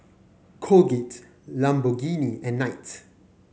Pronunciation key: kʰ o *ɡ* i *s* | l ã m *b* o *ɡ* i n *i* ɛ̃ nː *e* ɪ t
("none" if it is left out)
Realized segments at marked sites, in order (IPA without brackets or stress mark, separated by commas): ɡ, t, b, ɡ, i, a